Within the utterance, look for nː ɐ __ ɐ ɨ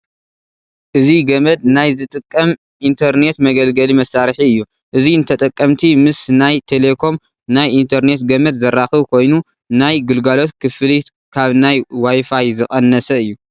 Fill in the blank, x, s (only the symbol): s